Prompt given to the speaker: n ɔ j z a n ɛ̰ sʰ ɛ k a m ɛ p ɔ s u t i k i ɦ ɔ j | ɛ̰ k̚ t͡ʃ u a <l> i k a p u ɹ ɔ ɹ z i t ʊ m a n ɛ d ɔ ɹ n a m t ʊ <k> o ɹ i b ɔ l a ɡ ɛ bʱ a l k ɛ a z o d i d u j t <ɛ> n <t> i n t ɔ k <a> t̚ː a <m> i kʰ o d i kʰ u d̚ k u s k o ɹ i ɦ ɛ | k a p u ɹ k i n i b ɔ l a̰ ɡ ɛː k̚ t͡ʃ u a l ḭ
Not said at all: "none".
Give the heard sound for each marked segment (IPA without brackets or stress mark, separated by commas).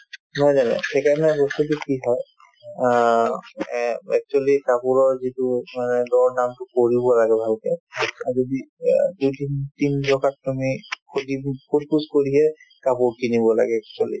l, k, i, t, a, m